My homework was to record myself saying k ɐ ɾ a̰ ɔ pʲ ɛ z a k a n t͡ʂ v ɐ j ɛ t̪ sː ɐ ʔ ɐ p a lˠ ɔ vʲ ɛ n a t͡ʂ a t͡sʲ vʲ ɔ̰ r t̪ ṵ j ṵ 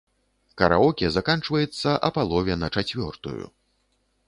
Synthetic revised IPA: k ɐ ɾ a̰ ɔ kʲ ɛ z a k a n t͡ʂ v ɐ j ɛ t̪ sː ɐ ʔ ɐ p a lˠ ɔ vʲ ɛ n ɐ t͡ʂ a t͡sʲ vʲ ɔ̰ r t̪ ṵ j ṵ